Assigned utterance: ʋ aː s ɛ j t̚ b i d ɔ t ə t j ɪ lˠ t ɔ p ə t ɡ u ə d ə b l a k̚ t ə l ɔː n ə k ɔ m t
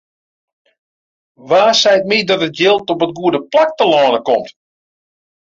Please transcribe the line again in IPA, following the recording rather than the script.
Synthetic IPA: ʋ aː s ɛ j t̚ m i d ɔ t ə t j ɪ lˠ t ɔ p ə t ɡ u ə d ə p l a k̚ t ə l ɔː n ə k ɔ m t